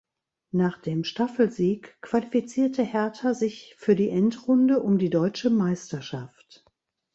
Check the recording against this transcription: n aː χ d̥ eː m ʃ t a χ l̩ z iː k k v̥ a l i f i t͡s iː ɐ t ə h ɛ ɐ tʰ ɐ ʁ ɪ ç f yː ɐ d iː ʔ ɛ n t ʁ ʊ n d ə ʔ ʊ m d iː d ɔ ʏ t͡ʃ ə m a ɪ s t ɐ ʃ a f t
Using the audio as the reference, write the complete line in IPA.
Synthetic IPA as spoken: n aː χ d̥ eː m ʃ t a f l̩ z iː k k v̥ a l i f i t͡s iː ɐ t ə h ɛ ɐ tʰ ɐ z ɪ ç f yː ɐ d iː ʔ ɛ n t ʁ ʊ n d ə ʔ ʊ m d iː d ɔ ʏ t͡ʃ ə m a ɪ s t ɐ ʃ a f t

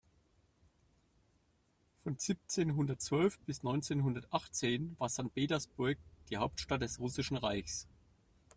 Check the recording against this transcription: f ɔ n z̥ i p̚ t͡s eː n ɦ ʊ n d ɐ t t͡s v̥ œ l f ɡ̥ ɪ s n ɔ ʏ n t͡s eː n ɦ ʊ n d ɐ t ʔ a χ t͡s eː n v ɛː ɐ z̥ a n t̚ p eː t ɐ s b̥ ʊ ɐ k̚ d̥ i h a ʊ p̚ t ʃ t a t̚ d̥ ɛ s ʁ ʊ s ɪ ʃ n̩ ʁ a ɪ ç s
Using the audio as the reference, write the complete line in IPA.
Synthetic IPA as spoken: f ɔ n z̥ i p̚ t͡s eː n ɦ ʊ n d ɐ t t͡s v̥ œ l f b̥ ɪ s n ɔ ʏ n t͡s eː n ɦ ʊ n d ɐ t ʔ a χ t͡s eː n v aː ɐ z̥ a n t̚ p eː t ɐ s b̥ ʊ ɐ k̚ d̥ iː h a ʊ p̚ t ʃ t a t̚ d̥ ɛ s ʁ ʊ s ɪ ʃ n̩ ʁ a ɪ ç s

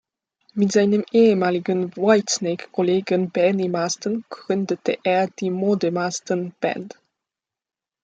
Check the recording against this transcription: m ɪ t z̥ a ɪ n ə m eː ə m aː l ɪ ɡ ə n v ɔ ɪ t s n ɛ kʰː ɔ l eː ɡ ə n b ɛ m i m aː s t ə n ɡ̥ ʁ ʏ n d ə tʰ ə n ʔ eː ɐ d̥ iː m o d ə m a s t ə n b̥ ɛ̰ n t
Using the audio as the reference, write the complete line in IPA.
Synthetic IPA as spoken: m ɪ t z̥ a ɪ n ə m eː ə m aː l ɪ ɡ ə n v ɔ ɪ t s n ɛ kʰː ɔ l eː ɡ ə n b ɛ n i m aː s t ə n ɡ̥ ʁ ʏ n d ə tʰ ə ʔ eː ɐ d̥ iː m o d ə m a s t ə n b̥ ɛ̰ n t

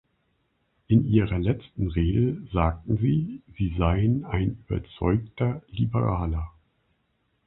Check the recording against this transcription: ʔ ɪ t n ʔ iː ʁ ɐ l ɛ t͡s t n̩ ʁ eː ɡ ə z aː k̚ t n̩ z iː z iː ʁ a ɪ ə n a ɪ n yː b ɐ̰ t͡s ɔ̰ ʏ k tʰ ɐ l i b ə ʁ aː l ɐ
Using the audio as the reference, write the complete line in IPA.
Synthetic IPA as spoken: ʔ ɪ n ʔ iː ʁ ɐ l ɛ t͡s t n̩ ʁ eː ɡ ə z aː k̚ t n̩ z iː z iː z a ɪ ə n a ɪ n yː b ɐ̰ t͡s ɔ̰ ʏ k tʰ ɐ l i b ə ʁ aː l ɐ

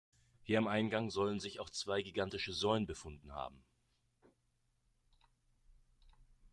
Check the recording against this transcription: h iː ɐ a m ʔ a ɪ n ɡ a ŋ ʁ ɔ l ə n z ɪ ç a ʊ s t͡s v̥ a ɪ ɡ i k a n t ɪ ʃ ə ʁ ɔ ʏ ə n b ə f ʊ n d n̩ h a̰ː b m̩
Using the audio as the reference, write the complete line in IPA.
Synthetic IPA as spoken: h iː ɐ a m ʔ a ɪ n ɡ a ŋ z ɔ l ə n z ɪ ç a ʊ x t͡s v̥ a ɪ ɡ i ɡ a n t ɪ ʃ ə z ɔ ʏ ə n b ə f ʊ n d n̩ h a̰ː b m̩

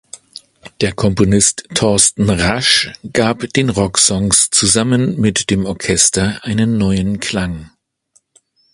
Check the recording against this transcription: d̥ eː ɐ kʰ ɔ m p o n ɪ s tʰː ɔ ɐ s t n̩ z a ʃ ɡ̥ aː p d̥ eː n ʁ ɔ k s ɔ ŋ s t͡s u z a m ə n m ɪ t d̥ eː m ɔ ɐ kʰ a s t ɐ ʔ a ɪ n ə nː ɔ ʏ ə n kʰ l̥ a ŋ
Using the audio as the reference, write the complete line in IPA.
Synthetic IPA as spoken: d̥ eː ɐ kʰ ɔ m p o n ɪ s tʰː ɔ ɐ s t n̩ ʁ a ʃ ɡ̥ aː p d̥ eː n ʁ ɔ k s ɔ ŋ s t͡s u z a m ə n m ɪ t d̥ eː m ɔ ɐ kʰ ɛ s t ɐ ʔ a ɪ n ə nː ɔ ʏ ə n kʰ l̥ a ŋ

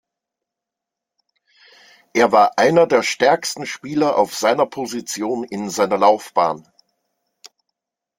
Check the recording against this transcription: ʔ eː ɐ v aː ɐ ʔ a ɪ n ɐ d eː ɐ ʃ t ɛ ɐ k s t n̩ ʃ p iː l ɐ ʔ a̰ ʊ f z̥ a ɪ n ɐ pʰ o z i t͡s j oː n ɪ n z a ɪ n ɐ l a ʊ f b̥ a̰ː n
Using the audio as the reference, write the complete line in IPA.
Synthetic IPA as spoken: ʔ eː ɐ v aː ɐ ʔ a ɪ n ɐ d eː ɐ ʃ t ɛ ɐ k s t n̩ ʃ p iː l ɐ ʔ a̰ ʊ f z̥ a ɪ n ɐ pʰ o z i t͡s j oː n ɪ n z a ɪ n ɐ l a ʊ f b̥ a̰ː n

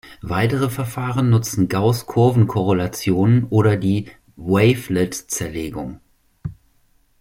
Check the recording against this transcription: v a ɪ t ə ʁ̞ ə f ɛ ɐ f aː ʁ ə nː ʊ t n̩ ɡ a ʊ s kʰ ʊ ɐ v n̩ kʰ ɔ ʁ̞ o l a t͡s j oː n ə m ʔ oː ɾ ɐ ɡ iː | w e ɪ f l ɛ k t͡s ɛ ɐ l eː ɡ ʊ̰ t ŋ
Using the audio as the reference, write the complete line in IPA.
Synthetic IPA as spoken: v a ɪ t ə ʁ̞ ə f ɛ ɐ f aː ʁ ə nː ʊ t͡s n̩ ɡ a ʊ s kʰ ʊ ɐ v n̩ kʰ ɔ ʁ̞ o l a t͡s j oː n ə n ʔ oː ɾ ɐ d iː | w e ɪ f l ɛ t t͡s ɛ ɐ l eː ɡ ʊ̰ ŋ

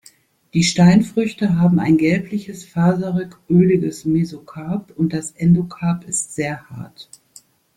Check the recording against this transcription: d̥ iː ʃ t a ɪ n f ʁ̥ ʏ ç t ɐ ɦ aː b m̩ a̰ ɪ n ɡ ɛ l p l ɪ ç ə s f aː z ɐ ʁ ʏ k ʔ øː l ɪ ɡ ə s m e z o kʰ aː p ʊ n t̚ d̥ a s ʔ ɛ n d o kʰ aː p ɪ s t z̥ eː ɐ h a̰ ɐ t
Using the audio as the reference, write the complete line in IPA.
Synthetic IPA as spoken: d̥ iː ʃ t a ɪ n f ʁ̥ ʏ ç t ə ɦ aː b m̩ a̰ ɪ n ɡ ɛ l p l ɪ ç ə s f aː z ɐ ʁ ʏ k ʔ øː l ɪ ɡ ə s m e z o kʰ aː p ʊ n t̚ d̥ a s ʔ ɛ n d o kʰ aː p ɪ s t z̥ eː ɐ h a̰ ɐ t

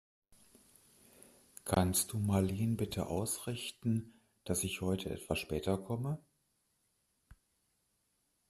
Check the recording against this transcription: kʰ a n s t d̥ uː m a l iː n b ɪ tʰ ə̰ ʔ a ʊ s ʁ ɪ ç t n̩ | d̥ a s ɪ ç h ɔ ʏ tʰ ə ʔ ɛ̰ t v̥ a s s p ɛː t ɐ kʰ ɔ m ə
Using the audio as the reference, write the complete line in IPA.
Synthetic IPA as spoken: kʰ a n s t d̥ uː m a l iː n b ɪ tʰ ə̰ ʔ a ʊ s ʁ ɪ ç t n̩ | d̥ a s ɪ ç h ɔ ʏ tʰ ə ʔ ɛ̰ t v̥ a s ʃ p ɛː t ɐ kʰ ɔ m ə

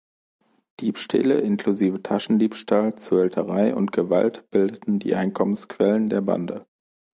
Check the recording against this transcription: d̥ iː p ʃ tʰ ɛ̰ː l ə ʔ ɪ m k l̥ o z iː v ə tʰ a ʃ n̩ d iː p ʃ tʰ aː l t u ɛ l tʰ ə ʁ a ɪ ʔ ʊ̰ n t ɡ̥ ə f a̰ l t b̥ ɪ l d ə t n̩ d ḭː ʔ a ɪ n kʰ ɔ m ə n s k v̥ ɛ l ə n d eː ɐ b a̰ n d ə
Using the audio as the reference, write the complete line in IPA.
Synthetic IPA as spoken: d̥ iː p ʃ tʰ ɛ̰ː l ə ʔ ɪ n k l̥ u z iː v ə tʰ a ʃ n̩ d iː p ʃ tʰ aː l t͡s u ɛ l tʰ ə ʁ a ɪ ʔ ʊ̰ n t ɡ̥ ə v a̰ l t b̥ ɪ l d ə t n̩ d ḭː ʔ a ɪ n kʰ ɔ m ə n s k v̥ ɛ l ə n d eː ɐ b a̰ n d ə

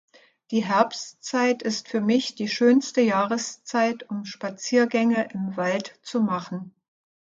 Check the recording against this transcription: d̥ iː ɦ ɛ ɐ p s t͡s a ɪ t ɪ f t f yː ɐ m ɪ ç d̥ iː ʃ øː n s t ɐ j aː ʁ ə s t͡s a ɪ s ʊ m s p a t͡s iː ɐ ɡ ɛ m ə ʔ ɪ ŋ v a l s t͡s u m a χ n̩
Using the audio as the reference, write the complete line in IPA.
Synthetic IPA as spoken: d̥ iː ɦ ɛ ɐ p s t͡s a ɪ t ɪ s t f yː ɐ m ɪ ç d̥ iː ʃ øː n s t ə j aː ʁ ə s t͡s a ɪ t ʊ m ʃ p a t͡s iː ɐ ɡ ɛ ŋ ə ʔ ɪ m v a l t t͡s u m a χ n̩

